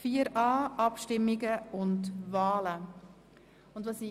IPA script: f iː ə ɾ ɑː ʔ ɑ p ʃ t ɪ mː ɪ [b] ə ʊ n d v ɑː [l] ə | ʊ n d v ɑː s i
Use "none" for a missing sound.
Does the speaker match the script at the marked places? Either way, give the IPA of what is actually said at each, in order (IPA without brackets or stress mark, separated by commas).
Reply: ɡ, l